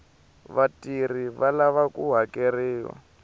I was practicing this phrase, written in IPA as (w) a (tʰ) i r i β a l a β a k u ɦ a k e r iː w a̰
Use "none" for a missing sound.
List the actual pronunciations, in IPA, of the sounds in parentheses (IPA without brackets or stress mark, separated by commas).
β, t